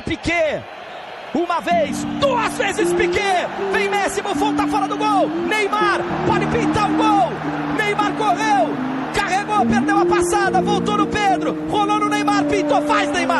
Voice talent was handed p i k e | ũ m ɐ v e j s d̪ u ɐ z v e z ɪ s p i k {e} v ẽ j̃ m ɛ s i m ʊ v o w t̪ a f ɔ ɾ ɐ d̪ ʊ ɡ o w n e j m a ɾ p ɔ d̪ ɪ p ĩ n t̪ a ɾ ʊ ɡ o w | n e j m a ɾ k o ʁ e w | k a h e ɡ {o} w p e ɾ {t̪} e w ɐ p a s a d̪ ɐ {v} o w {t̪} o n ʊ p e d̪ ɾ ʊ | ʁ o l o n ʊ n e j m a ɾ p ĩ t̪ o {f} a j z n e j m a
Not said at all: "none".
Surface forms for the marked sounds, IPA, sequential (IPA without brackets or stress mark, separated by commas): e, o, d̪, v, t̪, f